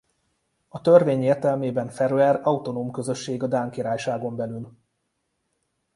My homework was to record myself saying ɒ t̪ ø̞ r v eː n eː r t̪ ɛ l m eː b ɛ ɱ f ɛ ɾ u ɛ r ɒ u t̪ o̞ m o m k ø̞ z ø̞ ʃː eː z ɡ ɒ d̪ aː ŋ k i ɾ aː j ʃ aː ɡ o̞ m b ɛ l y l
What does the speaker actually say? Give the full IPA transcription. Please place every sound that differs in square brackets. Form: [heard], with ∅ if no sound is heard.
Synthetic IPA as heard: ɒ t̪ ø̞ r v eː [ɲ] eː r t̪ ɛ l m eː b ɛ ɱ f ɛ ɾ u ɛ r ɒ u t̪ o̞ [n] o m k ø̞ z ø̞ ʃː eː [∅] ɡ ɒ d̪ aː ŋ k i ɾ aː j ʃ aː ɡ o̞ m b ɛ l y l